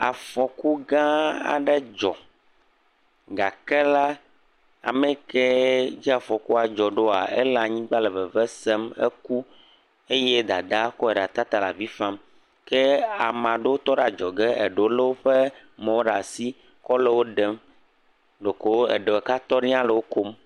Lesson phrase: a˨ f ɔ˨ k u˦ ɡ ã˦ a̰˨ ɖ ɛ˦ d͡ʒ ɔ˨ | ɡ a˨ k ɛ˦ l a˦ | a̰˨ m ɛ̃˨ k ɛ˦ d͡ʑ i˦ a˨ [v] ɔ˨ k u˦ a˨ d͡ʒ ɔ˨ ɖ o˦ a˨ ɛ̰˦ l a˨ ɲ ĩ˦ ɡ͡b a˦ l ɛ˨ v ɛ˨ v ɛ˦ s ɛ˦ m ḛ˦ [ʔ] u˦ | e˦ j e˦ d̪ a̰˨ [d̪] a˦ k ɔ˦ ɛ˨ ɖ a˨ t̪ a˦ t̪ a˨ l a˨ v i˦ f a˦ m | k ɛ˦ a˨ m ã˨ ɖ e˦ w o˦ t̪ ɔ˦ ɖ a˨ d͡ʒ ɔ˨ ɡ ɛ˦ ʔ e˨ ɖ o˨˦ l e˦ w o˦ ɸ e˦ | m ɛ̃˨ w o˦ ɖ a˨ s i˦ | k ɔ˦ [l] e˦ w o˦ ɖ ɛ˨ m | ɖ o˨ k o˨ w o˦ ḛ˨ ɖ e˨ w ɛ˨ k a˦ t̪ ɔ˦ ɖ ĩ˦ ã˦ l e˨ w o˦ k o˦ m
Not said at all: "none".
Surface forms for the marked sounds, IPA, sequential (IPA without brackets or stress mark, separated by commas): f, k, d̪, l